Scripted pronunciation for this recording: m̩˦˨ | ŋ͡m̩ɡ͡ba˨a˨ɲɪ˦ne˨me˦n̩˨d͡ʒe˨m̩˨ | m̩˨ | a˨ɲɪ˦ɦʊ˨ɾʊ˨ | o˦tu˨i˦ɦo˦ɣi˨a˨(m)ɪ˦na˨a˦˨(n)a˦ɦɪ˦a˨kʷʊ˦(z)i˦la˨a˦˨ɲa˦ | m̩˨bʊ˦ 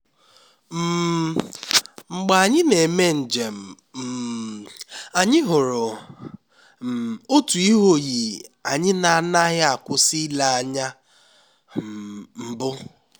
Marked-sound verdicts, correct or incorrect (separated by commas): incorrect, correct, incorrect